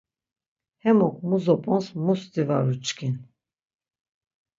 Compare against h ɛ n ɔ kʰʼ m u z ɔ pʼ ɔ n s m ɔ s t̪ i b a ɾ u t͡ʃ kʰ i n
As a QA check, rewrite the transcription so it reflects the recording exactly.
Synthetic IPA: h ɛ m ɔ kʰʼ m u z ɔ pʼ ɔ n s m u s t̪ i v a ɾ u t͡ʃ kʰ i n